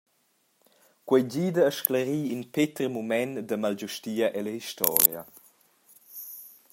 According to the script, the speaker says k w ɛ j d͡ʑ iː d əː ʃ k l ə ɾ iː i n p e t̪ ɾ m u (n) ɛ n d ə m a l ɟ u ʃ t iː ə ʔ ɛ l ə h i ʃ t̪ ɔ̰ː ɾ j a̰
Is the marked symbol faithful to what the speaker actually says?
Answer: no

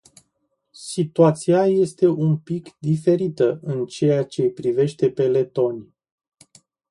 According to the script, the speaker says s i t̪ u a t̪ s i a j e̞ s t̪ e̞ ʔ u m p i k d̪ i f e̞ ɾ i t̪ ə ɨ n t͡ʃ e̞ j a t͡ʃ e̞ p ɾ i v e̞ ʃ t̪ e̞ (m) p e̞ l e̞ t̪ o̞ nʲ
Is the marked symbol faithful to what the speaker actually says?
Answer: no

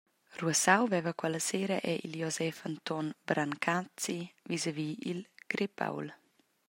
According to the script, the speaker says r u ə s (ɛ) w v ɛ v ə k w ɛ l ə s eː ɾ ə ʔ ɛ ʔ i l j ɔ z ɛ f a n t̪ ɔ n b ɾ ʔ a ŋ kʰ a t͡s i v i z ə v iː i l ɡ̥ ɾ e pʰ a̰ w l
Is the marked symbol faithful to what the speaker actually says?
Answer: no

